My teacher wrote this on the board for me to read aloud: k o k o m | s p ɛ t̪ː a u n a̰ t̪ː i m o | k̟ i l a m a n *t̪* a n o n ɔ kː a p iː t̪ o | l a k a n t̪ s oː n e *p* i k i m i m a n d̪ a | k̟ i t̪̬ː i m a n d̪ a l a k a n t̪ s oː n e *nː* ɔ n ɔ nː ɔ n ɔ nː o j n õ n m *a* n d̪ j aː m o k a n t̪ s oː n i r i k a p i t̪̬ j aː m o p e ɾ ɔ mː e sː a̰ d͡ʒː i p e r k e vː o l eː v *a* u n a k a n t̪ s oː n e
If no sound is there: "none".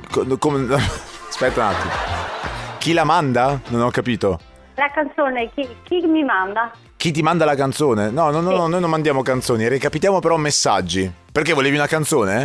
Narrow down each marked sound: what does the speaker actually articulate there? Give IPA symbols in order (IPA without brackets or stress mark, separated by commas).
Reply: d̪, k, n, a, i